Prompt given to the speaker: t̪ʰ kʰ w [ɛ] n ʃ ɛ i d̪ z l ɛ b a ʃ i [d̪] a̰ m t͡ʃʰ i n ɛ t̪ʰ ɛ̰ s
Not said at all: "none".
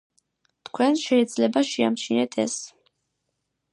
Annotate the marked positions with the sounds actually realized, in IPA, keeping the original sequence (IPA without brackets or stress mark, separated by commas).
ɛ, none